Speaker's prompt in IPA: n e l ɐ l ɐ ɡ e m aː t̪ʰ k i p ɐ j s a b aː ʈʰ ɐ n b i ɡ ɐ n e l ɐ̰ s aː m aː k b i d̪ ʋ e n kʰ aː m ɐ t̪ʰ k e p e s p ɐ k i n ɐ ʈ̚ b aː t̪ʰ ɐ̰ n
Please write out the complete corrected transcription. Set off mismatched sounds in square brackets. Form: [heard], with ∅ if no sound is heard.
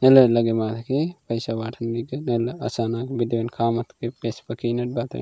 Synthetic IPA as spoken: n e l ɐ l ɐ ɡ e m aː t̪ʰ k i p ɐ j s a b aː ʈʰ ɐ n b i ɡ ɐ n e l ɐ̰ s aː [n] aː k b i d̪ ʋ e n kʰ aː m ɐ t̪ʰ k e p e s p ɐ k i n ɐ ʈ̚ b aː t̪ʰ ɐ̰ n

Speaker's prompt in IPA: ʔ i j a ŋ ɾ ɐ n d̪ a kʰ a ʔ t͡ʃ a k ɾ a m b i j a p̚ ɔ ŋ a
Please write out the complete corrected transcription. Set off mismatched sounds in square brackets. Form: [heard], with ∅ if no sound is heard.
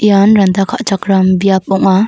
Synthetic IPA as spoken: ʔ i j a [n] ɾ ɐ n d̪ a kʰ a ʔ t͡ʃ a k ɾ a m b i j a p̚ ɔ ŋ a

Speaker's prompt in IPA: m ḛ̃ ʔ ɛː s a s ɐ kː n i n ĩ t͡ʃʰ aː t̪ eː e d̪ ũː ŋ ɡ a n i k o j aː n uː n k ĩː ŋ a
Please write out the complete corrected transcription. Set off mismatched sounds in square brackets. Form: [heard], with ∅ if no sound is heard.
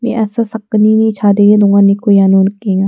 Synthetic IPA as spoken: m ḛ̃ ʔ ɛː s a s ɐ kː n i n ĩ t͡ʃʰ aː [d̪] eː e d̪ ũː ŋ ɡ a n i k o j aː n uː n k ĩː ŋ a

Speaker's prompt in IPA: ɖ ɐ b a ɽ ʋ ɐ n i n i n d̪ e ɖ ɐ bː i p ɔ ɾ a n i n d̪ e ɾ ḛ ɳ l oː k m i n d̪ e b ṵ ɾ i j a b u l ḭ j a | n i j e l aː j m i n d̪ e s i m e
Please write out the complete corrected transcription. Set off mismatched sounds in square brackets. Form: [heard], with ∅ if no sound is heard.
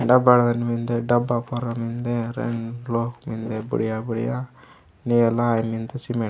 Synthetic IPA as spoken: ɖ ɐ b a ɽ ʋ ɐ n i [m] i n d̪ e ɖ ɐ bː [a] p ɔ ɾ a [m] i n d̪ e ɾ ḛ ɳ l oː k m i n d̪ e b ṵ [ɽ] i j a b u [ɽ] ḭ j a | n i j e l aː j m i n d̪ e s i m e

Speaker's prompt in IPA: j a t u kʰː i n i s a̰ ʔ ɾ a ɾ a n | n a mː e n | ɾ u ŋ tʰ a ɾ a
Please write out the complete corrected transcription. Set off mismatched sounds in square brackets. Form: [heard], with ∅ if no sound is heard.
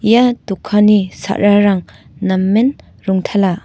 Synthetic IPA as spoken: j a t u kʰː [a] n i s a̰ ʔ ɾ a ɾ a [ŋ] | n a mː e n | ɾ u ŋ tʰ a [l] a

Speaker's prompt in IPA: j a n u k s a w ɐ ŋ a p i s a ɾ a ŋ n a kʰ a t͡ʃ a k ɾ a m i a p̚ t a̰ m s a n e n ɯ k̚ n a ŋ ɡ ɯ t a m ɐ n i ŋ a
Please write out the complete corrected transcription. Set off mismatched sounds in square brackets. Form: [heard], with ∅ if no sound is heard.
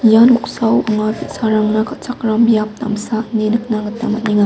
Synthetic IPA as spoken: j a n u k s a w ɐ ŋ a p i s a ɾ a ŋ n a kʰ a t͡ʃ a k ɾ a m [j] a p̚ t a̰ m s a n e n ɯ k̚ n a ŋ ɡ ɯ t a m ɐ n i ŋ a

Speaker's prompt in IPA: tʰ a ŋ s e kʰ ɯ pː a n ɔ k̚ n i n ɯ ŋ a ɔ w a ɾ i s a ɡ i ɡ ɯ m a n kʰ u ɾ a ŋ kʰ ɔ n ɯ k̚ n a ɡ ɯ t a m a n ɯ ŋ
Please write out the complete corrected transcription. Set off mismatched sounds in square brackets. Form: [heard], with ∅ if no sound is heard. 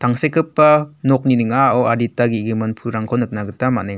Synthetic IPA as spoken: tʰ a ŋ s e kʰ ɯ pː a n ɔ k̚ n i n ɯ ŋ a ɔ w a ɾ i [t] a ɡ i ɡ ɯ m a n [pʰ] u ɾ a ŋ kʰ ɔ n ɯ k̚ n a ɡ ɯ t a m a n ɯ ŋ

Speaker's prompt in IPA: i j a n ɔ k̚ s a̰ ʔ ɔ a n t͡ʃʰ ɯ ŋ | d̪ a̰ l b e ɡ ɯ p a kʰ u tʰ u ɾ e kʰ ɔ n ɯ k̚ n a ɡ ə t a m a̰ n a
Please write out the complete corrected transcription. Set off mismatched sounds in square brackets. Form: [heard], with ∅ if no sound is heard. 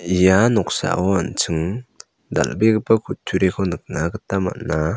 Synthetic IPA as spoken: i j a n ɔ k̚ s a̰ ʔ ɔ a n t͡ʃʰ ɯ ŋ | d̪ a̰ l b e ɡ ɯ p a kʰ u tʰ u ɾ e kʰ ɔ n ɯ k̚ n a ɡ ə t a m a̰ n a

